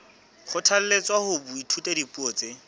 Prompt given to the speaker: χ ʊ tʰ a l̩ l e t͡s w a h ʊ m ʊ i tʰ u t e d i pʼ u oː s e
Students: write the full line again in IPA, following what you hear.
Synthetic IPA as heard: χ ʊ tʰ a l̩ l e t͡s w a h ʊ b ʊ i tʰ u t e d i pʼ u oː t͡s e

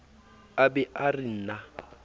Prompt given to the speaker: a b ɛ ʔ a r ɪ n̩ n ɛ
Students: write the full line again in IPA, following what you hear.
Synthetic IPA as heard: a b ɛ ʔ a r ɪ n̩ n a

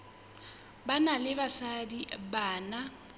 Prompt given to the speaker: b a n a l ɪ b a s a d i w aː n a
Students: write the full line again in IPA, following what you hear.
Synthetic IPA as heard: b a n a l ɪ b a s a d i b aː n a

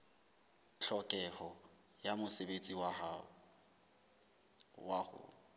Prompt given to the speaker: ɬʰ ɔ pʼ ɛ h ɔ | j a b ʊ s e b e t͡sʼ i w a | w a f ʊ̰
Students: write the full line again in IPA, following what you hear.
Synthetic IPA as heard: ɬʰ ɔ kʼ ɛ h ɔ | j a m ʊ s e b e t͡sʼ i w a | w a h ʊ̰

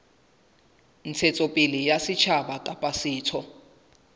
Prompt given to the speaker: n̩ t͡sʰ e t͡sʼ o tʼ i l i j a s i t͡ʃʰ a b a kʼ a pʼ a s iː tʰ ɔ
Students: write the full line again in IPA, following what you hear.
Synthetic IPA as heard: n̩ t͡sʰ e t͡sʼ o pʼ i l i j a s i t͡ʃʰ a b a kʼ a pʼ a s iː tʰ ɔ

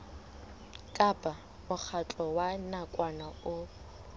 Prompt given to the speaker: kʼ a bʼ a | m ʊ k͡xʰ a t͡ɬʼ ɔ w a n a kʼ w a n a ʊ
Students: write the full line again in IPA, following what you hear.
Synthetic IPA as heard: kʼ a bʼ a | m ʊ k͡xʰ a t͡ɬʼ ɔ w a n a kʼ w a n a ʊ

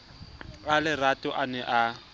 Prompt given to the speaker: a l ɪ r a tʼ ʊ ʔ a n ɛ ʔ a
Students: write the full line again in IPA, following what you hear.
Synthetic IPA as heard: a l ɪ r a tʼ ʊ ʔ a n ɛ ʔ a

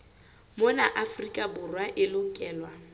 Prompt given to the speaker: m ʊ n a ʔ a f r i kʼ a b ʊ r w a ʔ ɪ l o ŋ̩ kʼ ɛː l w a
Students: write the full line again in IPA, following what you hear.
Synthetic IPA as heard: m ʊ n a ʔ a f r i kʼ a b ʊ r w a ʔ ɪ l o ŋ̩ kʼ ɛː l w a

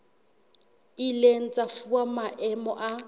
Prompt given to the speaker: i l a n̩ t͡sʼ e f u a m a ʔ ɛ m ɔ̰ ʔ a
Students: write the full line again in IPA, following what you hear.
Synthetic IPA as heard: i l e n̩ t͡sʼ a f u a m a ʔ ɛ m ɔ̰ ʔ a

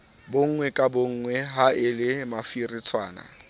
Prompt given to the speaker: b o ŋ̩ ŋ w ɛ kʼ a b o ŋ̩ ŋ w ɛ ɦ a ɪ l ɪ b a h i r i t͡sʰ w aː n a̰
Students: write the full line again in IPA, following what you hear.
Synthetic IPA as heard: b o ŋ̩ ŋ w ɛ kʼ a b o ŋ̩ ŋ w ɛ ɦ a ɪ l ɪ m a f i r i t͡sʰ w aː n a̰

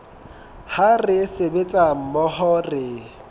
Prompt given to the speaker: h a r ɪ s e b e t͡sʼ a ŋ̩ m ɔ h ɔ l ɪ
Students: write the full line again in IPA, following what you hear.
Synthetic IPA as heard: h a r ɪ s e b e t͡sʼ a m̩ m ɔ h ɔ r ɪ

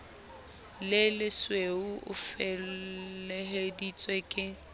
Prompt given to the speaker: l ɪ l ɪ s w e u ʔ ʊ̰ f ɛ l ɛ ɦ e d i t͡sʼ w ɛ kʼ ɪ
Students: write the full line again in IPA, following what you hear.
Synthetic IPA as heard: l ɪ l ɪ s w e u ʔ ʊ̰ f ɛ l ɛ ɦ e d i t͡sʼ w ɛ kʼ ɪ

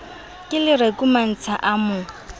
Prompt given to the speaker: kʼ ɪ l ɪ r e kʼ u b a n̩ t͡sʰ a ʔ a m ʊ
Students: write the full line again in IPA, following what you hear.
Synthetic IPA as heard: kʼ ɪ l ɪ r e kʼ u m a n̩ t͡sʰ a ʔ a m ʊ

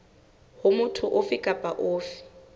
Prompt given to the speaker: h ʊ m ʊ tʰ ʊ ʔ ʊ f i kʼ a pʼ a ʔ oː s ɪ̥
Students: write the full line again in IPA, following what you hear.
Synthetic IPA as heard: h ʊ m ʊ tʰ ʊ ʔ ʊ f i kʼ a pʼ a ʔ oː f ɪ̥

